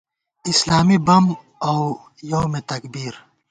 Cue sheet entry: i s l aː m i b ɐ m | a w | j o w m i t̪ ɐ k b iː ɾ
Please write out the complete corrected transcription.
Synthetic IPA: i s l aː m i b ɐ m | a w | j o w m e t̪ ɐ k b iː ɾ